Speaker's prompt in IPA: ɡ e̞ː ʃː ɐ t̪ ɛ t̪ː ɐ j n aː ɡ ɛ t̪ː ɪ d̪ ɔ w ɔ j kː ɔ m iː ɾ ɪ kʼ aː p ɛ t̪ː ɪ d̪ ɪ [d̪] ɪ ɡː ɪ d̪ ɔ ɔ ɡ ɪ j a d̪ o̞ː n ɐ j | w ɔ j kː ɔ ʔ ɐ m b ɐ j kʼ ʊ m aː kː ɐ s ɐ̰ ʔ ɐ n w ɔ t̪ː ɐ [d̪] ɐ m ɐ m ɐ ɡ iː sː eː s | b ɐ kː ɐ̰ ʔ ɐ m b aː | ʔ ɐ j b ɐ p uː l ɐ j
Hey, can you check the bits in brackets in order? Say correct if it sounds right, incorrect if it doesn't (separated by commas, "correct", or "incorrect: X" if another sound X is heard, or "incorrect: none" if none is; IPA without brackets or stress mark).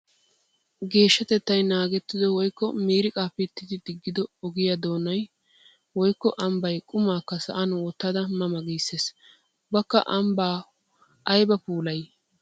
correct, correct